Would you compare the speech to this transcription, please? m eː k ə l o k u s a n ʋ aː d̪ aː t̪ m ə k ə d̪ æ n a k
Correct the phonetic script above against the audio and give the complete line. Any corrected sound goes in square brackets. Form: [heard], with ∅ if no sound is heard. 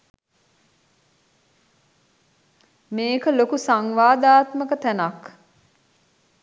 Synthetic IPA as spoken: m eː k ə l o k u s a [ŋ] ʋ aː d̪ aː t̪ m ə k ə [t̪] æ n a k